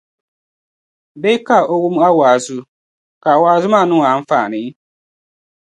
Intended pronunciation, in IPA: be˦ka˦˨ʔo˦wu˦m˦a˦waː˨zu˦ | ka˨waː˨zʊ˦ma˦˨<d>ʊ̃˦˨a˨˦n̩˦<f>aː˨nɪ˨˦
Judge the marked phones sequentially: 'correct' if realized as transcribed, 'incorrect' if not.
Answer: incorrect, correct

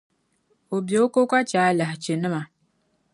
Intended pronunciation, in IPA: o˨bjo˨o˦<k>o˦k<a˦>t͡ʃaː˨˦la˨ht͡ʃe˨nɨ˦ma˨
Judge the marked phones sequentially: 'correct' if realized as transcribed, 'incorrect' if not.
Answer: correct, correct

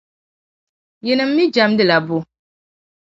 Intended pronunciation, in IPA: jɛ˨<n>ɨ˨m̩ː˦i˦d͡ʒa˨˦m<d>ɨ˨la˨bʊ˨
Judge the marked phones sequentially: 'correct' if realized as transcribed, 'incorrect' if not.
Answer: correct, correct

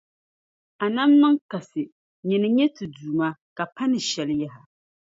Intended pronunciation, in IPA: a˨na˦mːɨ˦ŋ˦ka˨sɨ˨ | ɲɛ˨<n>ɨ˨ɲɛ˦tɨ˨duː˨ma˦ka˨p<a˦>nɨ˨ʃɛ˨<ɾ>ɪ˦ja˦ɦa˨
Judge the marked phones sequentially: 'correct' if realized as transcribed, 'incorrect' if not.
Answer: correct, correct, incorrect

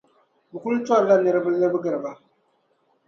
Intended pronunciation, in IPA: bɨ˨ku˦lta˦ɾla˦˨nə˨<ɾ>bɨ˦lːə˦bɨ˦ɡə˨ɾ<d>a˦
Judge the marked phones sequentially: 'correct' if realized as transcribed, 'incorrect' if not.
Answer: correct, incorrect

